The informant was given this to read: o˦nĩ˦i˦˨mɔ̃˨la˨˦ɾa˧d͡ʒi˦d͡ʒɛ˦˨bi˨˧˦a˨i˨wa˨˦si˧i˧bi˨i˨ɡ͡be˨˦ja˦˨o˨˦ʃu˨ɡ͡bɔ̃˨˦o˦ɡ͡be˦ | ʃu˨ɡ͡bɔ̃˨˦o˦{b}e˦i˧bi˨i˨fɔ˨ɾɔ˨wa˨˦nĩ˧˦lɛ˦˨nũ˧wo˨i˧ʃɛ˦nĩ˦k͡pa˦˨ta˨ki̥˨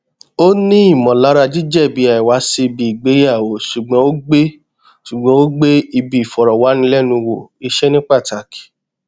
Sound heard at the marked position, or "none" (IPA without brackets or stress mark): ɡ͡b